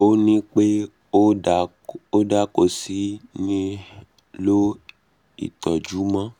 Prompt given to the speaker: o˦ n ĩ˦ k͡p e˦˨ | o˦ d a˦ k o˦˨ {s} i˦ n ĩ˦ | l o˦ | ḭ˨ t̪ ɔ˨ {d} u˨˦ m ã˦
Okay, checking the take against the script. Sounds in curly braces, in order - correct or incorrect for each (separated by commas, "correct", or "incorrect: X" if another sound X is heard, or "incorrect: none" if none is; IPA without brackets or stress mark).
correct, incorrect: d͡ʒ